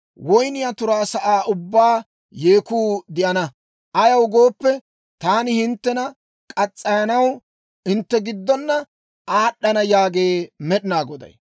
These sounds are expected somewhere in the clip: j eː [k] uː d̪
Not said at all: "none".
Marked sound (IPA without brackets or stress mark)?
k